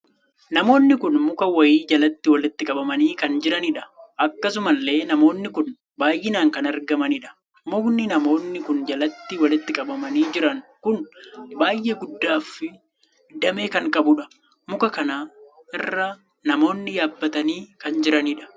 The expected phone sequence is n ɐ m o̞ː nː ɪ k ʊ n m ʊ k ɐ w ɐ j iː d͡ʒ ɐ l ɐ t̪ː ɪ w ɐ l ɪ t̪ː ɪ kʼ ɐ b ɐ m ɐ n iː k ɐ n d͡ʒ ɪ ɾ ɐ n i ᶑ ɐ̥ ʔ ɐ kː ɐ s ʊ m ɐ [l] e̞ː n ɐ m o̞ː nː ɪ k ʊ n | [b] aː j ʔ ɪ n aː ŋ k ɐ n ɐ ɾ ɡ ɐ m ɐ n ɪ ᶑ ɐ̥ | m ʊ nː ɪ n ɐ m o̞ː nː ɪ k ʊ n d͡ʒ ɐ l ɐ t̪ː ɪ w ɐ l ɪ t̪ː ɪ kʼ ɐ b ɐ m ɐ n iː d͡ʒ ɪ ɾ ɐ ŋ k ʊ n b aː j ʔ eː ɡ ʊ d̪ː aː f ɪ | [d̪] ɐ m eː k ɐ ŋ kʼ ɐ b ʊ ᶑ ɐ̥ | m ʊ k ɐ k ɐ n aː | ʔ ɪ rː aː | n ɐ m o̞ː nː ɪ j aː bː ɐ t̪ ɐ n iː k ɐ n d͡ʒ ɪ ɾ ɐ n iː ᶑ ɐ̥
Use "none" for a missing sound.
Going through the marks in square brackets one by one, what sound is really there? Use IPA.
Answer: lː, b, d̪

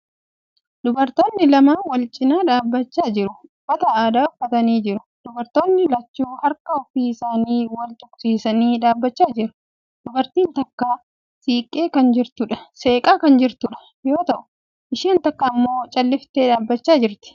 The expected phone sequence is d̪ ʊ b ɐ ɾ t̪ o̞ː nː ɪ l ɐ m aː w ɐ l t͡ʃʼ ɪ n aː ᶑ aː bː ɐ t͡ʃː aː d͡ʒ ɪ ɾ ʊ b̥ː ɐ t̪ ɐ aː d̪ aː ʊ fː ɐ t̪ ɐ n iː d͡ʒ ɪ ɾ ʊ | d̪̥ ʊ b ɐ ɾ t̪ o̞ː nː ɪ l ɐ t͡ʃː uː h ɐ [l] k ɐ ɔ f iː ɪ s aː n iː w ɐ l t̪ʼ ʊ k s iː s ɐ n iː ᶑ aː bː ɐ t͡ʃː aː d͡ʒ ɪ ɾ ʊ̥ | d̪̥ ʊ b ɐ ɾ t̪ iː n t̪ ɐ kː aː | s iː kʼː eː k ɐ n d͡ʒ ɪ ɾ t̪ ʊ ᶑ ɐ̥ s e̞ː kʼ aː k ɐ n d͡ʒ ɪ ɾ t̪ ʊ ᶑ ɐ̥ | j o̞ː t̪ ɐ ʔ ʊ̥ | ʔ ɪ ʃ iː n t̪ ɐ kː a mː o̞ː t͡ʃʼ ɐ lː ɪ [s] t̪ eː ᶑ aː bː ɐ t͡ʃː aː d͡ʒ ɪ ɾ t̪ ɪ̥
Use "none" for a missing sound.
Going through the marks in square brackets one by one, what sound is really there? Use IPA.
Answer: ɾ, f

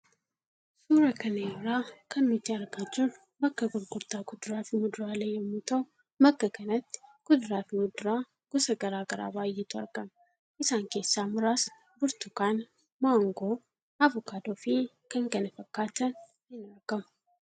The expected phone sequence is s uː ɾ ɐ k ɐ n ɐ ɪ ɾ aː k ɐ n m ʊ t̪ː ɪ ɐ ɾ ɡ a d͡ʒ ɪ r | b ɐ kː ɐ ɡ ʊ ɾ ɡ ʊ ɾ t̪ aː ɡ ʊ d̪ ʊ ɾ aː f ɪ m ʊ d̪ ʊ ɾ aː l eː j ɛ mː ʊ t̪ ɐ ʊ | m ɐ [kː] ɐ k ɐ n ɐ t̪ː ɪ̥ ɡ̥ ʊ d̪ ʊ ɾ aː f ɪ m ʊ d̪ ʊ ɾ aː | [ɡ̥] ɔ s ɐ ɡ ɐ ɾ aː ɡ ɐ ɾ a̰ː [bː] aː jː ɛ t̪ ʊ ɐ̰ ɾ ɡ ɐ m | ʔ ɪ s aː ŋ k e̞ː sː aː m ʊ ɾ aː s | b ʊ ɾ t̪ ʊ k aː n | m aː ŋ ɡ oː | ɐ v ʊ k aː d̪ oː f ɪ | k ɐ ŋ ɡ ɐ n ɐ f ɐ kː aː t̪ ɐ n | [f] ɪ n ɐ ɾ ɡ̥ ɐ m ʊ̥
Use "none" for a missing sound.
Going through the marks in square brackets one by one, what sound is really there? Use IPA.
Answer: kː, ɡ̥, b, h

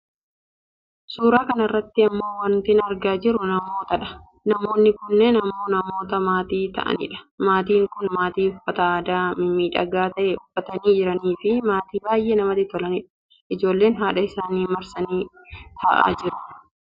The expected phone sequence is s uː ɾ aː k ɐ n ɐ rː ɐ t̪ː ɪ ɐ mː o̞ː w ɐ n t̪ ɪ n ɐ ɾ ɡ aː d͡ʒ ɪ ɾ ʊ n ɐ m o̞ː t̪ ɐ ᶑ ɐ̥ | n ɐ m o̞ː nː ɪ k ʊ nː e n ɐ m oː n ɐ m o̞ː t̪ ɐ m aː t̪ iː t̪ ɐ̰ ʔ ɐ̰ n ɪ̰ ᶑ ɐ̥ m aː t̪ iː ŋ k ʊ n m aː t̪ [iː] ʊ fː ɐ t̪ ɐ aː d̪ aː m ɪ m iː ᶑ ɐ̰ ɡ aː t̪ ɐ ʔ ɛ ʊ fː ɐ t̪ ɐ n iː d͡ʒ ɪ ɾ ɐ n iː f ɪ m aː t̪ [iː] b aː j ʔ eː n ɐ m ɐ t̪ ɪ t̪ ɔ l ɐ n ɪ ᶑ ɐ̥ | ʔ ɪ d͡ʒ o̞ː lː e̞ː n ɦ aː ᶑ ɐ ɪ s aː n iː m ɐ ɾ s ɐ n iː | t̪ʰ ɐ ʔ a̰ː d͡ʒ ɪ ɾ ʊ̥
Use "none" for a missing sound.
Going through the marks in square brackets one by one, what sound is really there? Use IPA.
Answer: iː, iː

